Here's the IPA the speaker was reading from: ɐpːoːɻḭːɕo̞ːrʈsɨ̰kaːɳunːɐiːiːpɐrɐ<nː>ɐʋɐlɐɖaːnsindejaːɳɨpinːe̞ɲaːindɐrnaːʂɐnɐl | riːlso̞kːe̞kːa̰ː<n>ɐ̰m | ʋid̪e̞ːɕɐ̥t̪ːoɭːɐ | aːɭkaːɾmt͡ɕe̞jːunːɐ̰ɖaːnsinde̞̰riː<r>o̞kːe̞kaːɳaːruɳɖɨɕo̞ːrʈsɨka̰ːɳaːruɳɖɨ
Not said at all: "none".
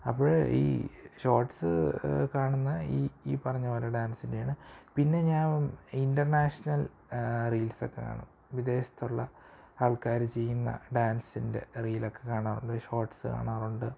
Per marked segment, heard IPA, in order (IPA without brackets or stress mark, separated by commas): ɲː, ɳ, l